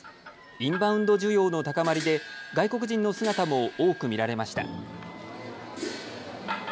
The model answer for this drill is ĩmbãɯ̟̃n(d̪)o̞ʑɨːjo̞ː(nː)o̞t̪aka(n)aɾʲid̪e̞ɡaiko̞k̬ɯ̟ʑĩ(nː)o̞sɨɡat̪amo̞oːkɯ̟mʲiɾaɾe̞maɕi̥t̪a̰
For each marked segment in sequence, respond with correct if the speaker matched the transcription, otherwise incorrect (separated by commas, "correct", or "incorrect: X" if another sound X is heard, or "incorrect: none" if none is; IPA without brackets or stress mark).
correct, incorrect: n, incorrect: m, correct